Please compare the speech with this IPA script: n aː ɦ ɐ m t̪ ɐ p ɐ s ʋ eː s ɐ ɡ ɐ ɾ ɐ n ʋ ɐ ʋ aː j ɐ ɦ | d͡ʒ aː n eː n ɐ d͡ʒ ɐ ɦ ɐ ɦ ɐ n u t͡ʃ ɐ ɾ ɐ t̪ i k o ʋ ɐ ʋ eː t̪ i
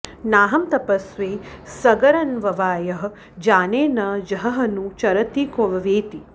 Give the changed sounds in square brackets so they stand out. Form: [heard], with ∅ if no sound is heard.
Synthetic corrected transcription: n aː ɦ ɐ m t̪ ɐ p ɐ s ʋ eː s ɐ ɡ ɐ ɾ ɐ n ʋ ɐ ʋ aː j ɐ ɦ | d͡ʒ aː n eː n ɐ d͡ʒ ɐ ɦ ɐ ɦ ɐ n u t͡ʃ ɐ ɾ ɐ t̪ i k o ʋ ɐ ʋ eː t̪ i

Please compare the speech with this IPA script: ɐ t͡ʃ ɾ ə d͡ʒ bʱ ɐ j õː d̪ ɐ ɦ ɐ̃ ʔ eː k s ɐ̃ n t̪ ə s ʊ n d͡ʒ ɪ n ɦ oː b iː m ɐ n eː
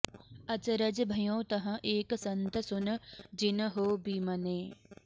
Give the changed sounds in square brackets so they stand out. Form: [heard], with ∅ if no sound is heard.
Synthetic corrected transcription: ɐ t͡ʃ ɾ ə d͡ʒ bʱ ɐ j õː [t̪] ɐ ɦ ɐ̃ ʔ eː k s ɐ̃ n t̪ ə s ʊ n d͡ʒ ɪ n ɦ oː b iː m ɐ n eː

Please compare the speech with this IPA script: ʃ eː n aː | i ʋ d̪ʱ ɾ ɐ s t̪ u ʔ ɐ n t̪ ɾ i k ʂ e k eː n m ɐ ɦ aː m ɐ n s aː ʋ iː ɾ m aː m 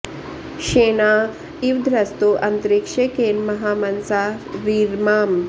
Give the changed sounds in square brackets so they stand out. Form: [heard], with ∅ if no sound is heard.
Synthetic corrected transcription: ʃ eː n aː | i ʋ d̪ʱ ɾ ɐ s t̪ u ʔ ɐ n t̪ ɾ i k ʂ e k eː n m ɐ ɦ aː m ɐ n s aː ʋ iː ɾ m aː m

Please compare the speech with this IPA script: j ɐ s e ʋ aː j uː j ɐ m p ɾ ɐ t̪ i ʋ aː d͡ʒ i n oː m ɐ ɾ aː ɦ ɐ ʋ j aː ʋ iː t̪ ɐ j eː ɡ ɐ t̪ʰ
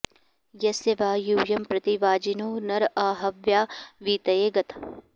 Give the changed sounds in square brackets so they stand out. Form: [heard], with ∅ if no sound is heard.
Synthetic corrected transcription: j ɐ s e ʋ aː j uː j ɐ m p ɾ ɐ t̪ i ʋ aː d͡ʒ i n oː [n] ɐ ɾ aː ɦ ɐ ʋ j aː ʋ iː t̪ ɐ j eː ɡ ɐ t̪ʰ

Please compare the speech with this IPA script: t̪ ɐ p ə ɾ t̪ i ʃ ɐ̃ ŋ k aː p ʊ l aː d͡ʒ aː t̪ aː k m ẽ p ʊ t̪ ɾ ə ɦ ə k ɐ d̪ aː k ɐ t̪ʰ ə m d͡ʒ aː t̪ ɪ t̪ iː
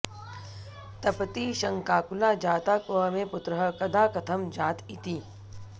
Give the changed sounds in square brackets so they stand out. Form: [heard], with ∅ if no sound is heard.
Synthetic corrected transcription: t̪ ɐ p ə [∅] t̪ i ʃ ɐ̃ ŋ k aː [k] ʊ l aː d͡ʒ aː t̪ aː k m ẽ p ʊ t̪ ɾ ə ɦ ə k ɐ d̪ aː k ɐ t̪ʰ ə m d͡ʒ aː t̪ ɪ t̪ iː

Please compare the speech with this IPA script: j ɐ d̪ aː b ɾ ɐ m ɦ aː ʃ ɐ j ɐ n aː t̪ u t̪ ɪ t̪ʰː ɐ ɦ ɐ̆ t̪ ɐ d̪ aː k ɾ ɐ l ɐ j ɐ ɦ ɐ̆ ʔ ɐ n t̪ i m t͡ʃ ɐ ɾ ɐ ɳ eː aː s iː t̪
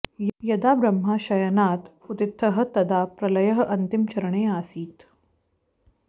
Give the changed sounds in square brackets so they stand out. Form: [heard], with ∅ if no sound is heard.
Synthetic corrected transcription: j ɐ d̪ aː b ɾ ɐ m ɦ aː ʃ ɐ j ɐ n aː t̪ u t̪ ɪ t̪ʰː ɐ ɦ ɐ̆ t̪ ɐ d̪ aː [p] ɾ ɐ l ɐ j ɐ ɦ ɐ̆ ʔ ɐ n t̪ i m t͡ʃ ɐ ɾ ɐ ɳ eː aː s iː t̪

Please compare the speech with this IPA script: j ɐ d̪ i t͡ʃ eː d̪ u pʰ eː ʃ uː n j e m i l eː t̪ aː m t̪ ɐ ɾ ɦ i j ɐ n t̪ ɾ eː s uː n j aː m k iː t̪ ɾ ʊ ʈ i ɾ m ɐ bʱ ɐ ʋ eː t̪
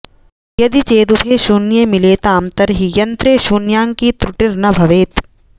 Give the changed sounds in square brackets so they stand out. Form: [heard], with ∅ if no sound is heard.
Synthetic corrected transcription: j ɐ d̪ i t͡ʃ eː d̪ u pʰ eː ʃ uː n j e m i l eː t̪ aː m t̪ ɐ ɾ ɦ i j ɐ n t̪ ɾ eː [ʃ] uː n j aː [ŋ] k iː t̪ ɾ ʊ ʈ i ɾ [n] ɐ bʱ ɐ ʋ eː t̪

